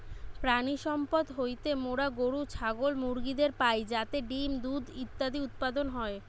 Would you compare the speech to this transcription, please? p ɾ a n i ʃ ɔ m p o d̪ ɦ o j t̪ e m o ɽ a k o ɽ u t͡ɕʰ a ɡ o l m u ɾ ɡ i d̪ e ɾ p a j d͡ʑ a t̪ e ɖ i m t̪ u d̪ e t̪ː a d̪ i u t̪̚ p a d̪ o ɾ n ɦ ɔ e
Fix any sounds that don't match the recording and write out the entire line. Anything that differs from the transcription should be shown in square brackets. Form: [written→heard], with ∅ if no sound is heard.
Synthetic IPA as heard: p ɾ a n i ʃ ɔ m p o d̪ ɦ o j t̪ e m o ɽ a [k→ɡ] o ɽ u t͡ɕʰ a ɡ o l m u ɾ ɡ i d̪ e ɾ p a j d͡ʑ a t̪ e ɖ i m [t̪→d̪] u d̪ [e→i] t̪ː a d̪ i u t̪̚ p a d̪ o [ɾ→∅] n ɦ ɔ e